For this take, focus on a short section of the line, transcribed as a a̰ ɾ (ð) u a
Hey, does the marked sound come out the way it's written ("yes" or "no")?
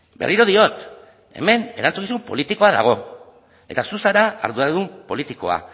yes